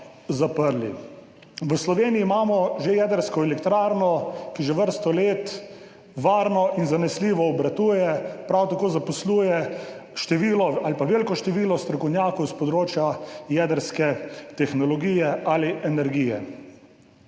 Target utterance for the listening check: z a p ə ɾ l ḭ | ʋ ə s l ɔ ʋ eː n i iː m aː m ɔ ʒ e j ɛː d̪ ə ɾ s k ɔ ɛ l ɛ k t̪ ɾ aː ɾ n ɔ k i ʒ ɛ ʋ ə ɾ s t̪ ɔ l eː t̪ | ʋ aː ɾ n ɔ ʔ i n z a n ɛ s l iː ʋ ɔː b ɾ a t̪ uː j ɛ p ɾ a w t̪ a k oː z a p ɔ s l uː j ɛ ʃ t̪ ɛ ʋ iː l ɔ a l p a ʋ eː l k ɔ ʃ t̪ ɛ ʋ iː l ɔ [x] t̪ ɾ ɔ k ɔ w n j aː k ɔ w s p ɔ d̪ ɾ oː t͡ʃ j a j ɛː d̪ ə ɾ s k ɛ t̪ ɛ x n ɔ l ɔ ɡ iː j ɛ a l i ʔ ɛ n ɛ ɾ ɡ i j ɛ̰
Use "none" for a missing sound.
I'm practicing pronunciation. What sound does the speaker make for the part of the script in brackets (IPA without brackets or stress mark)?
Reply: s